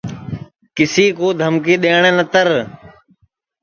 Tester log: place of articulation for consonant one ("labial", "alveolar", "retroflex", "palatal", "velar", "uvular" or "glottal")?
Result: velar